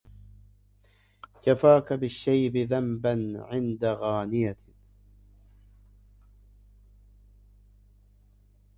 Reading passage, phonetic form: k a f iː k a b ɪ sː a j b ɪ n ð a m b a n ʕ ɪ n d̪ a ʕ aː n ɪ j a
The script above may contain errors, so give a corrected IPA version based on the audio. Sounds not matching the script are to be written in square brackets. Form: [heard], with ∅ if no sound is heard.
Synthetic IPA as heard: k a f [aː] k a b ɪ [ʃː] a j b ɪ [∅] ð a m b a n ʕ ɪ n d̪ a [ɣ] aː n ɪ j a